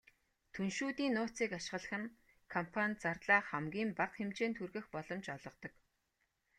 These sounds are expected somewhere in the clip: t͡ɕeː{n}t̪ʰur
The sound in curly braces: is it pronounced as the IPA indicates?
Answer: yes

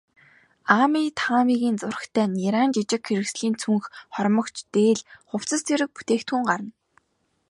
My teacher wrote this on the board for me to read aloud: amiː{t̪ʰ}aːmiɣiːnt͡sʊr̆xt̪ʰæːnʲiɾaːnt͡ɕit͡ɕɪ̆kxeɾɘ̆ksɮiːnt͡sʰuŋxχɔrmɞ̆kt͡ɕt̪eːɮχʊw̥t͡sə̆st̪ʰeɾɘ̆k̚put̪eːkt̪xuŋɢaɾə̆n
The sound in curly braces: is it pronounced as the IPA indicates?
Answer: yes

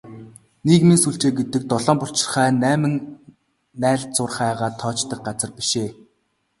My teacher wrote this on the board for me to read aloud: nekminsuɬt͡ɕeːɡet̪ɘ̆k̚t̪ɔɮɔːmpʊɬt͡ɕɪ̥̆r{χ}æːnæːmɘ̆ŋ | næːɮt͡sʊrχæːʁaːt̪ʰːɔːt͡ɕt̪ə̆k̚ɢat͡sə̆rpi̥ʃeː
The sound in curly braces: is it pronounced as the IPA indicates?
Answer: yes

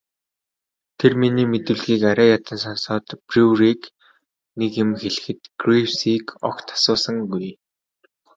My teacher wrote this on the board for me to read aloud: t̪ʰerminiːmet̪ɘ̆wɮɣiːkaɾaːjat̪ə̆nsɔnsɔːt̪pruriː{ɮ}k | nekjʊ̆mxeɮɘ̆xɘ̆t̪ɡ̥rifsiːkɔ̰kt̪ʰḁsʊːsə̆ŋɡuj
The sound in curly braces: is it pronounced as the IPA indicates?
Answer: no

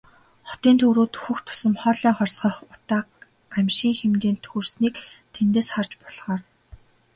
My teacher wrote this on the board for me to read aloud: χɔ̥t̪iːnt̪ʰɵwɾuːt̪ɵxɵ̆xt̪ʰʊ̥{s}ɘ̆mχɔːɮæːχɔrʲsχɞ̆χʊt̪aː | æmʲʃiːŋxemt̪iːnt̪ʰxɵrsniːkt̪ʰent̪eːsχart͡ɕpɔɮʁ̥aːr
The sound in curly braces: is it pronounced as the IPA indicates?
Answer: yes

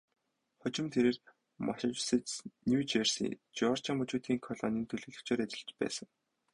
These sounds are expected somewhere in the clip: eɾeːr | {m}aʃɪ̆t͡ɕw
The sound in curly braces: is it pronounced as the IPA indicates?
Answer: yes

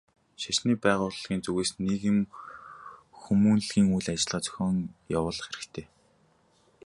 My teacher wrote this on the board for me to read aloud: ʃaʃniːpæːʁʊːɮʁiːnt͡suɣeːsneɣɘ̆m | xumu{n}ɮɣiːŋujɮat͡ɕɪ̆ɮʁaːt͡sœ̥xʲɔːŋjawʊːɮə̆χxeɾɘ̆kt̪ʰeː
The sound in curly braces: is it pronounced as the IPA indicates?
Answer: yes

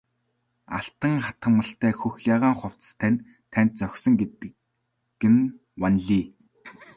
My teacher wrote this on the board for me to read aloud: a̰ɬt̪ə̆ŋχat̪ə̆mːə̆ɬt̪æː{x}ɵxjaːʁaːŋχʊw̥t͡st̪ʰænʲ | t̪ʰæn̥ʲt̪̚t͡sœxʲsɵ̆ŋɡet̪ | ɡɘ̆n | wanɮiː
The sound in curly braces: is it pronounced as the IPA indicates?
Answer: yes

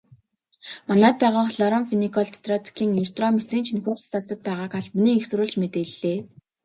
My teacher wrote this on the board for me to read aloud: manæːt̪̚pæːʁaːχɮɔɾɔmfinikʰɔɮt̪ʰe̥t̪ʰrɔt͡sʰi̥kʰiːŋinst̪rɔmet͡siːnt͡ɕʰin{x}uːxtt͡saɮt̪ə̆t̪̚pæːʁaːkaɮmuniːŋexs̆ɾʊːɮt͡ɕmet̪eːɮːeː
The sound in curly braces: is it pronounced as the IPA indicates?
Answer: yes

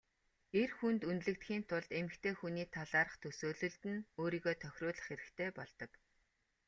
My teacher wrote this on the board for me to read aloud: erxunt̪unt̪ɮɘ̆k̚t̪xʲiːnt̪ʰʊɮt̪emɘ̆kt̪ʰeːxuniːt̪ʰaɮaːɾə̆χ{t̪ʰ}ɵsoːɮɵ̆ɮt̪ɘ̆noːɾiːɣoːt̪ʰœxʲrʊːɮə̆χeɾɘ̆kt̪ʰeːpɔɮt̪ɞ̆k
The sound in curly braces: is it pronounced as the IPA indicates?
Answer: yes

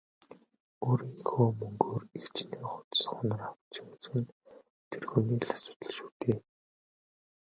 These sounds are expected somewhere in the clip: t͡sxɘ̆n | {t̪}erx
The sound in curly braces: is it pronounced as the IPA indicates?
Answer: no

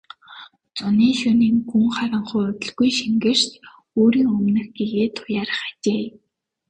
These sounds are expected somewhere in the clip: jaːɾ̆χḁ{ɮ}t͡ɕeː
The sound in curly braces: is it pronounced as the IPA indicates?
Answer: no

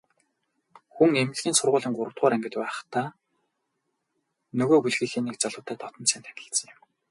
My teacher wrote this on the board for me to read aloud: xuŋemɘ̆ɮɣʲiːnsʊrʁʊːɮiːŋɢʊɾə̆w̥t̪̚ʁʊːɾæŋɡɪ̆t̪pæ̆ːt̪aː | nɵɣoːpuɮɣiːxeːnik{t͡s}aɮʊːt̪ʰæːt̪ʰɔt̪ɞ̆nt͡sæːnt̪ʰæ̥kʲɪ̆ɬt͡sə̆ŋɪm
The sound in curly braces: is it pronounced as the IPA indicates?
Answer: yes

